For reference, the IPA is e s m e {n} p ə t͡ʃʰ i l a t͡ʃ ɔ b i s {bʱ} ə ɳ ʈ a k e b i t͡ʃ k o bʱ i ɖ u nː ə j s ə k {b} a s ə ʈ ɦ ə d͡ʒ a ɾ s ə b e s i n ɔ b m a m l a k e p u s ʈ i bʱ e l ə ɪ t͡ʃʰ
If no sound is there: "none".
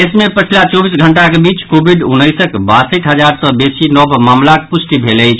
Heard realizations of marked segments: none, ɡʱ, b

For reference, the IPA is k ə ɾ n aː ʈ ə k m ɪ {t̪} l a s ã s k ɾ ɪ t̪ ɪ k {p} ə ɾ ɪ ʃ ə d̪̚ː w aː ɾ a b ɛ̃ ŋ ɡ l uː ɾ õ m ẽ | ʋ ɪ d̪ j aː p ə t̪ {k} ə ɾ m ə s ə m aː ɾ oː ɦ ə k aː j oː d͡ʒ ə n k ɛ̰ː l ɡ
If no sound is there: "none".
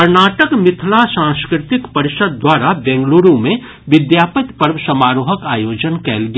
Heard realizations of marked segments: t̪ʰ, p, p

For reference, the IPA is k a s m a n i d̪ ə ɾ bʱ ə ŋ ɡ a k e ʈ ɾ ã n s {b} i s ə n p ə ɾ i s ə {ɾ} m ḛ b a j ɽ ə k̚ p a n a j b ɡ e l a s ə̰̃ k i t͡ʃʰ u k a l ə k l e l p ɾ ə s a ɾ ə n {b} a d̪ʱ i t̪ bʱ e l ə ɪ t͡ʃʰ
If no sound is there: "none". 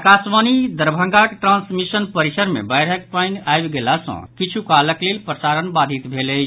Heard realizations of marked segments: m, ɾ, b

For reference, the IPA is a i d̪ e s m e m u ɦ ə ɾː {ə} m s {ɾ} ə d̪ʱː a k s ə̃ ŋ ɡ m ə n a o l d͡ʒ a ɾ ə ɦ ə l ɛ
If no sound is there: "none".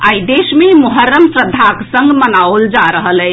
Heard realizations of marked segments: ə, ɾ

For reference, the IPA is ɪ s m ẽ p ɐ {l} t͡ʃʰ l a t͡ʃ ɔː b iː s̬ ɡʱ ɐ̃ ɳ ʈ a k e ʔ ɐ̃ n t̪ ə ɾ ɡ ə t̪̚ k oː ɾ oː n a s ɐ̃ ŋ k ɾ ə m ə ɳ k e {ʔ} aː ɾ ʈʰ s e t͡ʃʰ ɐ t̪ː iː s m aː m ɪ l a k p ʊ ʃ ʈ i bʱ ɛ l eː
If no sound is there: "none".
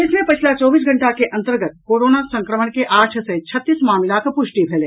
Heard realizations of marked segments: none, ʔ

